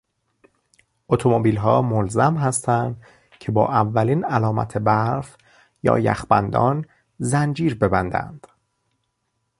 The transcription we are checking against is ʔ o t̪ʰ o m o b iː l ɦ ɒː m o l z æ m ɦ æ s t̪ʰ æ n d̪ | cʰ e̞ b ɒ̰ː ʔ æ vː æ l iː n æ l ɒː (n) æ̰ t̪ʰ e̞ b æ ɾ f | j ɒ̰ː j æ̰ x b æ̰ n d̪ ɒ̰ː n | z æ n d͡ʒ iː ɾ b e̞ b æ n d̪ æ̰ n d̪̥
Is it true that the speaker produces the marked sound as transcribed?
no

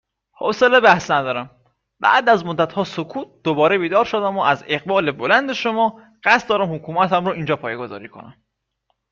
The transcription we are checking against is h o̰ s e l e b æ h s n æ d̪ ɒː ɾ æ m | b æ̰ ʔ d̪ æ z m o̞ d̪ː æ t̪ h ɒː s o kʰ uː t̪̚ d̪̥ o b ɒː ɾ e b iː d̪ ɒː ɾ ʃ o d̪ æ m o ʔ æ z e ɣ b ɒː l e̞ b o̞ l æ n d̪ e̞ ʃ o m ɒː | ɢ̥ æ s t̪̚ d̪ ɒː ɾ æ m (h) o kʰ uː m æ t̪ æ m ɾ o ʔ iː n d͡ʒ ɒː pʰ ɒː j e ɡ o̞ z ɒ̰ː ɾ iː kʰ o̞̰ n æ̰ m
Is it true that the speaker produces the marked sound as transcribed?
yes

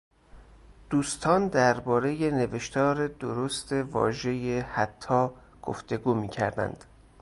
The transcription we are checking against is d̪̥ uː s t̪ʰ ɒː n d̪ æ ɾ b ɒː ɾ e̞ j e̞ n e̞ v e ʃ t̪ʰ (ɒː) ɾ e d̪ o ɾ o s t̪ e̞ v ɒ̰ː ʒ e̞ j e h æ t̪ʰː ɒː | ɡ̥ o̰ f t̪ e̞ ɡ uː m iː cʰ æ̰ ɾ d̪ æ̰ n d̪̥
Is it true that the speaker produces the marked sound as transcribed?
yes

